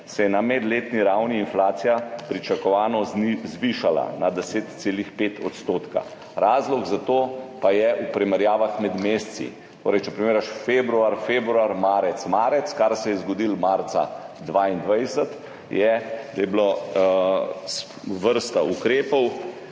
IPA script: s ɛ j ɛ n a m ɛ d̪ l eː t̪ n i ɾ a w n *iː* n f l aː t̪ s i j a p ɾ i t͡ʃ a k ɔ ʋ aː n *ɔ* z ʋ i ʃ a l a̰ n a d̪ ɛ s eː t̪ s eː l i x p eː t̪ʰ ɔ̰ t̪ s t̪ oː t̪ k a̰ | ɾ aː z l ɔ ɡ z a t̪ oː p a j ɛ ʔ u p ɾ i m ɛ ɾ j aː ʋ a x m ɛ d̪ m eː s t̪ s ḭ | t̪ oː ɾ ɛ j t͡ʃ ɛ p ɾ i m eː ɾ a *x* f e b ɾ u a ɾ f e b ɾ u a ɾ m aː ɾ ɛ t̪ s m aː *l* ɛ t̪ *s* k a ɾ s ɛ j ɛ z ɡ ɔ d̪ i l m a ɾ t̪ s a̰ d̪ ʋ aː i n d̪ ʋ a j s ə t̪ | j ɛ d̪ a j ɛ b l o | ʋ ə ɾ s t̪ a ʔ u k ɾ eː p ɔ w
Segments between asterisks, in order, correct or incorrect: correct, correct, incorrect, incorrect, correct

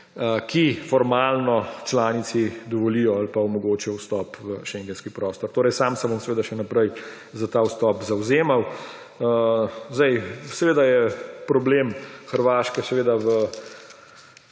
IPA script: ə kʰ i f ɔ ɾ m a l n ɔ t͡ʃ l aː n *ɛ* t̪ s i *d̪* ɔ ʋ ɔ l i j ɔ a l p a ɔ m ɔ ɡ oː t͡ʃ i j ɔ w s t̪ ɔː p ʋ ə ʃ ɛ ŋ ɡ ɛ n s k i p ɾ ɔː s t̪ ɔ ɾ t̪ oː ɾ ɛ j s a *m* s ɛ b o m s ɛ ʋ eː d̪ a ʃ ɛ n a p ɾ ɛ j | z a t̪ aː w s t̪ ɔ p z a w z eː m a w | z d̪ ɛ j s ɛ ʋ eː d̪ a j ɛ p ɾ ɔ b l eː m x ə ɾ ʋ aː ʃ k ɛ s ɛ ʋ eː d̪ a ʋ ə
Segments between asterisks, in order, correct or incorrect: incorrect, correct, correct

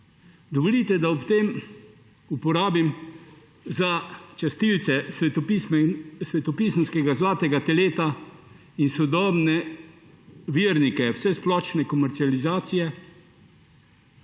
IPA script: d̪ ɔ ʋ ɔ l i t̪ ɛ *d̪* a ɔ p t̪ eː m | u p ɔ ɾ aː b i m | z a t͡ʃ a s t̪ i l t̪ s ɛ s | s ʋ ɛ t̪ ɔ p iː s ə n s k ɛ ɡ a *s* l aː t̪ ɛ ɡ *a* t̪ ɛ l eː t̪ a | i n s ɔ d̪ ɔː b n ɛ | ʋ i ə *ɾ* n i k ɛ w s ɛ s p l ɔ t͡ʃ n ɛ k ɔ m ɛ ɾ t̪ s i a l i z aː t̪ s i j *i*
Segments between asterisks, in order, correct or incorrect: correct, incorrect, correct, correct, incorrect

